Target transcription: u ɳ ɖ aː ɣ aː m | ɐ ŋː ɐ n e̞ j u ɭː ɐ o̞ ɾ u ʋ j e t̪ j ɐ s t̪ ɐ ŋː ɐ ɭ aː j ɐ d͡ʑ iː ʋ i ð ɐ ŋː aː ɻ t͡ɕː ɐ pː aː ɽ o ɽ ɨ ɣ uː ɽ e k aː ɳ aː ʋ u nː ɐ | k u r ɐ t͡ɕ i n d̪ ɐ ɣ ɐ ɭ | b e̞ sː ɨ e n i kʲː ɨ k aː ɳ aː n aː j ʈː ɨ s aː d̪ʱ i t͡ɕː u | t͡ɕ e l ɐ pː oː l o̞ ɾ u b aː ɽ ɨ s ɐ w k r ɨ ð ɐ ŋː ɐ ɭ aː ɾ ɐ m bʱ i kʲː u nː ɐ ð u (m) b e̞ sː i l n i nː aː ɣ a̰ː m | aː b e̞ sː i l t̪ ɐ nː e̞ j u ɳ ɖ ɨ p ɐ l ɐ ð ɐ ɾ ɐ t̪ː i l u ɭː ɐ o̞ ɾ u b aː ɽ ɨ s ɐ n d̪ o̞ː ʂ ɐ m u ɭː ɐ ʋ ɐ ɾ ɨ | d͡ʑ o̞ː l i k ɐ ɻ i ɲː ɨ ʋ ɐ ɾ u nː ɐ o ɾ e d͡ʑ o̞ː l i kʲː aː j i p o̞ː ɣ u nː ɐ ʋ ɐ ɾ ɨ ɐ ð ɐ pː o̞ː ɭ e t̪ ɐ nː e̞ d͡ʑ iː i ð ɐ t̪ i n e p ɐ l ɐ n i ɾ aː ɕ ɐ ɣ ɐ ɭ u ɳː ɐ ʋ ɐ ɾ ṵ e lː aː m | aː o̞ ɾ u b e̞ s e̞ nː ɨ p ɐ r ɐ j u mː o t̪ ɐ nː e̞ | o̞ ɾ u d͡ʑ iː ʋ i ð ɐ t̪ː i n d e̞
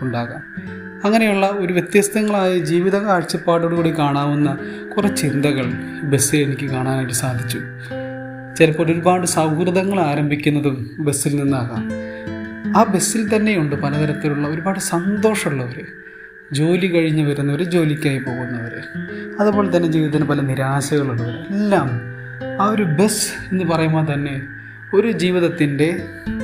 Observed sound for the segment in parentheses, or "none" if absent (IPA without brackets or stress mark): m